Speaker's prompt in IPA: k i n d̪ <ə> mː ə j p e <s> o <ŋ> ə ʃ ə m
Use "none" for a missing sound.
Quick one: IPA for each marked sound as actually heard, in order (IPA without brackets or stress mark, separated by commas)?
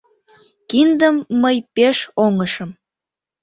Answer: ə, ʃ, ŋ